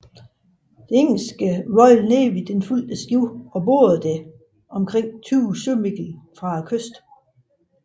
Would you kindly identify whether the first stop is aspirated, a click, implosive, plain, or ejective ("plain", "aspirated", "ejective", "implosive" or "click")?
plain